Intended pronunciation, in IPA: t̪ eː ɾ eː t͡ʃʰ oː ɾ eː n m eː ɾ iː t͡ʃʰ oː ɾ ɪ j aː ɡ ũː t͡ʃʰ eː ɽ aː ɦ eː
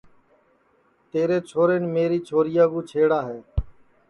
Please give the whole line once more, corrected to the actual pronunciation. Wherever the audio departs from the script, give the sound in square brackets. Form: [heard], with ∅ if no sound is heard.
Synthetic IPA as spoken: t̪ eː ɾ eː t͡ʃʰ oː ɾ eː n m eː ɾ iː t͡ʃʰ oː ɾ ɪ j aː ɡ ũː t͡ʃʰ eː ɽ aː ɦ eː